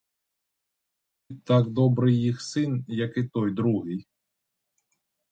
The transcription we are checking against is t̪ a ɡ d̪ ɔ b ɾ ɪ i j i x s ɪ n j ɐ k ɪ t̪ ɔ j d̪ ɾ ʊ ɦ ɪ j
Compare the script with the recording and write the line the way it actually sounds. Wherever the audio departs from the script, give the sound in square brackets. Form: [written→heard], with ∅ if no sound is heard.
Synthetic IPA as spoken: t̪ a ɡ d̪ ɔ b ɾ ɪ [i→j] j i x s ɪ n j ɐ k ɪ t̪ ɔ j d̪ ɾ [ʊ→u] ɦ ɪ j